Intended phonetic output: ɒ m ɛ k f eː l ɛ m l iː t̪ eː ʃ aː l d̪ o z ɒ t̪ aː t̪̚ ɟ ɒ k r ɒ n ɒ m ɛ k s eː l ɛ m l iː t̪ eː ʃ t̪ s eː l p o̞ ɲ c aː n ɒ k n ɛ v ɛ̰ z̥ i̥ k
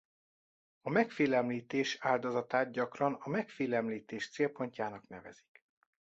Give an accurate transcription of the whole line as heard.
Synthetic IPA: ɒ m ɛ k f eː l ɛ m l iː t̪ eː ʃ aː l d̪ o z ɒ t̪ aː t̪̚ ɟ ɒ k r ɒ n ɒ m ɛ k f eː l ɛ m l iː t̪ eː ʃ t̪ s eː l p o̞ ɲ c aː n ɒ k n ɛ v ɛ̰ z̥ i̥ k